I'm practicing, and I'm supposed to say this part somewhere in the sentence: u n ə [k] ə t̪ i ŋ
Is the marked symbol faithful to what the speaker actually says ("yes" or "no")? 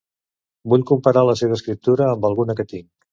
yes